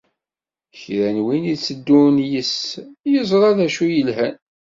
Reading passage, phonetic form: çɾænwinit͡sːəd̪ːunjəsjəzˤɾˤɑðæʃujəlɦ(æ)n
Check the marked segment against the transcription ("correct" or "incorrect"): correct